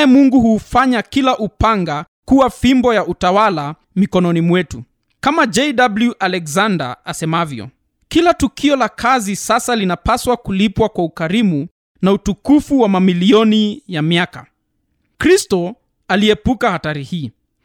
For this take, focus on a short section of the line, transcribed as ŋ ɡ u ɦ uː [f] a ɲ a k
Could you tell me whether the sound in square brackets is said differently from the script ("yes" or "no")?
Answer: no